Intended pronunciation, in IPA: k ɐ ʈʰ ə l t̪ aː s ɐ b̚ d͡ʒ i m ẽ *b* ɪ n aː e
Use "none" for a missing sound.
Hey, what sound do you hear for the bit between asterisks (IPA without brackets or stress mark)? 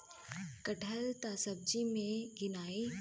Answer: ɡ